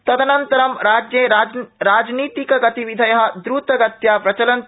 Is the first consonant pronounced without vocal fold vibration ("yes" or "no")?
yes